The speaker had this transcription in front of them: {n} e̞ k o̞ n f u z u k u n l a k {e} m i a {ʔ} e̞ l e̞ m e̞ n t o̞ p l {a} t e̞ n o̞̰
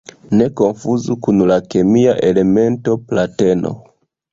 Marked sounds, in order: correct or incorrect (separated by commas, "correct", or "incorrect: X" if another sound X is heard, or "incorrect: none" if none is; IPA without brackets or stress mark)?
correct, correct, correct, correct